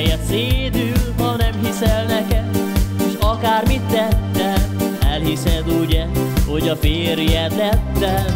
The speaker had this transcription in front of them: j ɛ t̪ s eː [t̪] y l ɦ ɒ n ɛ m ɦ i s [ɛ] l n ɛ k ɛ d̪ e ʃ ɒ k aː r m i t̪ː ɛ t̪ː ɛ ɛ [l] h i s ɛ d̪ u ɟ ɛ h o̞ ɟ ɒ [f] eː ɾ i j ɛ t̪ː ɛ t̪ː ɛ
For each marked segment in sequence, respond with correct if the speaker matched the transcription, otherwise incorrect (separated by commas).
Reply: incorrect, correct, correct, correct